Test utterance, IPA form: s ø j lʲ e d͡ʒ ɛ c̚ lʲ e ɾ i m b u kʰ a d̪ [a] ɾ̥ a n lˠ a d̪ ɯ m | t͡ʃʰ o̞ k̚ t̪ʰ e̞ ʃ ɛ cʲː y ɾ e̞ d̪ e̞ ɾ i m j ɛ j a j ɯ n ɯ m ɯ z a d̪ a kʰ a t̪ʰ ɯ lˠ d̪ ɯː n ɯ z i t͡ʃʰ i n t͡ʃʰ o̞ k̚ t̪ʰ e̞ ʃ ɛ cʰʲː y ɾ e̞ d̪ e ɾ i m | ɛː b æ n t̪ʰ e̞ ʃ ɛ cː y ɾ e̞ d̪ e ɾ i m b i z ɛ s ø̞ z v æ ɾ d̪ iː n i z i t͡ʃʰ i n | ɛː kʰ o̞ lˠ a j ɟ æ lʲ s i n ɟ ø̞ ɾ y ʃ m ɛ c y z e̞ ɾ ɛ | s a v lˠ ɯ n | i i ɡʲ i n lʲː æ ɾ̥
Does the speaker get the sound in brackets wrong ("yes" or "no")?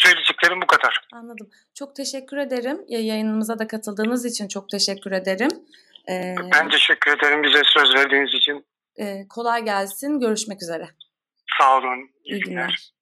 no